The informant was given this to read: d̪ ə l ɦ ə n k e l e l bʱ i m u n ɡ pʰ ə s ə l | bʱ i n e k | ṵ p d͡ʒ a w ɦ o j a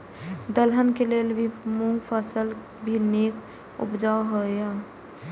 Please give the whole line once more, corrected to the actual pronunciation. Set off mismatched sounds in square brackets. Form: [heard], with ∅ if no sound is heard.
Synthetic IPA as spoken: d̪ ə l ɦ ə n k e l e l bʱ i m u [ŋ] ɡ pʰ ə s ə l | bʱ i n e k | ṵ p d͡ʒ a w ɦ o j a